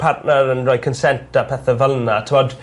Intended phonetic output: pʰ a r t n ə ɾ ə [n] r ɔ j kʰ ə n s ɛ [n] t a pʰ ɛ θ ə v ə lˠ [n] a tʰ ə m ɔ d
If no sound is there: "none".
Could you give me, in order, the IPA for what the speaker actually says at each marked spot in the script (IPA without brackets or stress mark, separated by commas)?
n, n, n